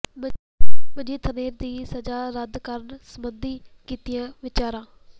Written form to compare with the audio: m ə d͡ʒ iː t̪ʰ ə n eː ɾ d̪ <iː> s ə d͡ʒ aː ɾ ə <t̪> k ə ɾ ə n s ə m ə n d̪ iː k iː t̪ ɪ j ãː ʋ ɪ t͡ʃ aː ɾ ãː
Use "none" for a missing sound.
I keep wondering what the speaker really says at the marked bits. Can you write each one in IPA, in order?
iː, d̪

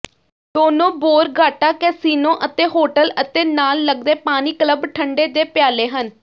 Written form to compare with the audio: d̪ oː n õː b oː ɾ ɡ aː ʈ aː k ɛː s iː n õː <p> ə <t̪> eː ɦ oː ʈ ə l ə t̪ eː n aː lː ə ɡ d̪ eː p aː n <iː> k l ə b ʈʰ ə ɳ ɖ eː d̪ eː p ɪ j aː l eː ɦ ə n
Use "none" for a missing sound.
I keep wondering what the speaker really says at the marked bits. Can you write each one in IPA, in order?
ʔ, t̪, iː

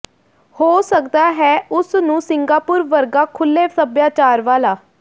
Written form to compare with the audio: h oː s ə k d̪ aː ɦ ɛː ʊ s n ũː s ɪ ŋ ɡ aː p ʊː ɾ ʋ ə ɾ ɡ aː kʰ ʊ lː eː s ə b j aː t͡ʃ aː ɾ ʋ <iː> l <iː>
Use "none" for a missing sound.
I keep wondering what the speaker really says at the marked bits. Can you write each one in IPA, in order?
aː, aː

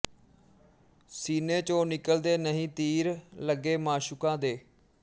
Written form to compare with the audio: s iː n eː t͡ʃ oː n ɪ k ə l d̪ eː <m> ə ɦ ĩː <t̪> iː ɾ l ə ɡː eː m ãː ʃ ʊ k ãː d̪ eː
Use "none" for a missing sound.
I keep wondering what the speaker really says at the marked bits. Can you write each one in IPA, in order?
n, t̪

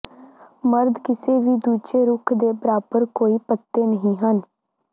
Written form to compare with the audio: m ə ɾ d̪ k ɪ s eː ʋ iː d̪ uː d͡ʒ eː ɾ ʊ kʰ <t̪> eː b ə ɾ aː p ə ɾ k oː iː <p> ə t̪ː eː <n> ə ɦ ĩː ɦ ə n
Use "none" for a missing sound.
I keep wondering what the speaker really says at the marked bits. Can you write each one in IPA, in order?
d̪, p, n

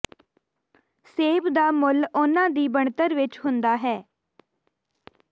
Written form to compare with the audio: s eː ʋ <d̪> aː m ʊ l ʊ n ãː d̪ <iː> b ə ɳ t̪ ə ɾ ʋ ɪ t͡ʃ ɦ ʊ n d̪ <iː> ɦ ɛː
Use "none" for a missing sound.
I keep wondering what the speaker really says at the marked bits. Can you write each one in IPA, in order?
d̪, iː, aː

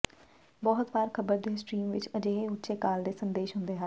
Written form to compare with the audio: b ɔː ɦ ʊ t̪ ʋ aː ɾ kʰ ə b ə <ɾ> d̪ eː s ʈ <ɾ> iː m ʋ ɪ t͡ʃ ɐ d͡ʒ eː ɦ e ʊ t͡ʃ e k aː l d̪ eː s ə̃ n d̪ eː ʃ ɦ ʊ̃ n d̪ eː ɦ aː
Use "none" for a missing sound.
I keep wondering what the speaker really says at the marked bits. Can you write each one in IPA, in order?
ɾ, ɾ

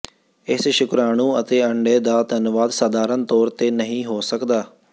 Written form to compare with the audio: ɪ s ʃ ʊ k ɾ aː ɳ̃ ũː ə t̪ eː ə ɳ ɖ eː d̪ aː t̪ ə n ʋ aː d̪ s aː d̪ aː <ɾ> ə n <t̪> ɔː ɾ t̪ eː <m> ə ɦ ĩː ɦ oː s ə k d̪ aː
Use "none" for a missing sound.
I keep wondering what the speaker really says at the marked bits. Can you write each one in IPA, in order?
ɾ, t̪, n

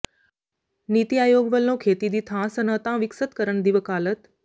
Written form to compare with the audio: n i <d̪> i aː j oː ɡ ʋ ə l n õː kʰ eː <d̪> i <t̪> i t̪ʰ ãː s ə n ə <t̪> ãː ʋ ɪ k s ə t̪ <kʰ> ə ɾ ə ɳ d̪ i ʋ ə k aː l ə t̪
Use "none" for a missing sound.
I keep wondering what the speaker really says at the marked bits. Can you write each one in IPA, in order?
t̪, t̪, d̪, t̪, k

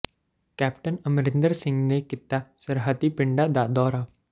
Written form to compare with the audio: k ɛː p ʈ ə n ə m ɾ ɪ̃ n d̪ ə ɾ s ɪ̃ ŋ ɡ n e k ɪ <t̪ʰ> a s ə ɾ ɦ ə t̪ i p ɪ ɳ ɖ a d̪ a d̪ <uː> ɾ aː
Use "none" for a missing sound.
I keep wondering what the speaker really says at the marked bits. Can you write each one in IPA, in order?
t̪, ɔː

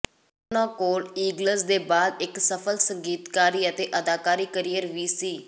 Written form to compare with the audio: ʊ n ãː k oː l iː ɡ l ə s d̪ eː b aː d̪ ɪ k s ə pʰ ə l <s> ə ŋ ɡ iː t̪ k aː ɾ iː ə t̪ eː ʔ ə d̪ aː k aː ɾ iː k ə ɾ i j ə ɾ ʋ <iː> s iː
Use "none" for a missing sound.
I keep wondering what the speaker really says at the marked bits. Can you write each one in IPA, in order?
s, iː

